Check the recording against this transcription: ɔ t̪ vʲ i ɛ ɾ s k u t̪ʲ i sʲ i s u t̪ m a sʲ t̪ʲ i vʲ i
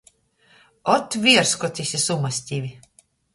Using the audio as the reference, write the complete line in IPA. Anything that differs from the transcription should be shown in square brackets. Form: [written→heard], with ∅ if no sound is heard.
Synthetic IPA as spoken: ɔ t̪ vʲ i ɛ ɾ s k [u→ɔ] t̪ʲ i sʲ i s u [t̪→∅] m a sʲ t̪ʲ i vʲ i

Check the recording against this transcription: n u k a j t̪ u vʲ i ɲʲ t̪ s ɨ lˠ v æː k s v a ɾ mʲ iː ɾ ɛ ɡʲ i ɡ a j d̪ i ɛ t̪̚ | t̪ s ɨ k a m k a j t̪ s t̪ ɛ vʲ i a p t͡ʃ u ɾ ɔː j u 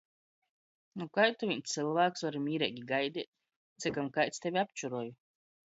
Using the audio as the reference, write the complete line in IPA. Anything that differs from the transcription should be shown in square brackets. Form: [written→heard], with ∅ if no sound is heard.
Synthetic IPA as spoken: n u k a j t̪ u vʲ i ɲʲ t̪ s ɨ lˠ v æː k s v a ɾ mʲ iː ɾ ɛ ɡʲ i ɡ a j d̪ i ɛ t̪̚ | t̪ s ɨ k a m k a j t̪ s t̪ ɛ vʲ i a p t͡ʃ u ɾ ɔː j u

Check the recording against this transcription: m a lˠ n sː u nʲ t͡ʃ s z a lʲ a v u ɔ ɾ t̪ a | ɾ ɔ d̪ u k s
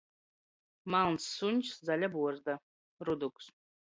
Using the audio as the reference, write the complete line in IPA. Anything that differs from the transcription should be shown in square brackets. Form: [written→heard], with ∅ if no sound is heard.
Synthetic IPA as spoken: m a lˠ n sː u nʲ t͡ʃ s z a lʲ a [v→b] u ɔ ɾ [t̪→d̪] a | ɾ [ɔ→u] d̪ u k s

